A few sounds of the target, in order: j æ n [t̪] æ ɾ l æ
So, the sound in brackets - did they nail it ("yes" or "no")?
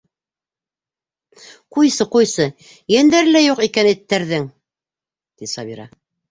no